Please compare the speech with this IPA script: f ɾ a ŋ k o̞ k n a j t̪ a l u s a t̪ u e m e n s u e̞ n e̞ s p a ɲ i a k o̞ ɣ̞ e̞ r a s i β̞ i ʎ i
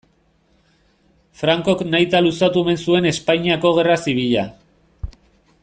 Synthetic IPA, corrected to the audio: f ɾ a ŋ k o̞ k n a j t̪ a l u s a t̪ u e m e n s u e̞ n e̞ s p a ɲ i a k o̞ ɣ̞ e̞ r a s i β̞ i ʎ a